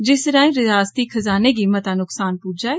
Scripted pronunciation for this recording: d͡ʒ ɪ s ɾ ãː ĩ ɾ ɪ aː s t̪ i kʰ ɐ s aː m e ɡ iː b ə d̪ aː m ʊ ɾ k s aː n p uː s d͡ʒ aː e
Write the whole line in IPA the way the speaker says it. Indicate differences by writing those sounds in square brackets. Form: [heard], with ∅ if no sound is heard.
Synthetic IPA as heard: d͡ʒ ɪ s ɾ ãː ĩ ɾ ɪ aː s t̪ i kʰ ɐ [z] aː [n] e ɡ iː [m] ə [t̪] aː [n] ʊ [∅] k s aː n p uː [∅] d͡ʒ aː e